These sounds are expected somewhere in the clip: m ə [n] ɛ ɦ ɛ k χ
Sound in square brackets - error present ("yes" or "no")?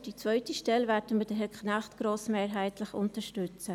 yes